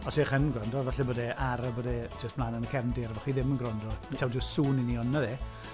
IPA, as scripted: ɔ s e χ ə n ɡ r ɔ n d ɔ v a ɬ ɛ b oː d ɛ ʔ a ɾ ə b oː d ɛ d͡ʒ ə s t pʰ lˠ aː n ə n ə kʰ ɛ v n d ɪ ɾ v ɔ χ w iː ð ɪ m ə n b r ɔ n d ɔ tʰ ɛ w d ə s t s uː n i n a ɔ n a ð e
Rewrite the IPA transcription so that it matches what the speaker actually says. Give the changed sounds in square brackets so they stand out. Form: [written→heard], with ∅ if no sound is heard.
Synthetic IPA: ɔ s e χ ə n ɡ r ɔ n d ɔ v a ɬ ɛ b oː d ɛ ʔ a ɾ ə b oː d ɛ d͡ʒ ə s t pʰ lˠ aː n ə n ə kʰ ɛ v n d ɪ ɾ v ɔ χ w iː ð ɪ m ə n [b→ɡ] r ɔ n d ɔ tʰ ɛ w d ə s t s uː n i n [a→i] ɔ n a ð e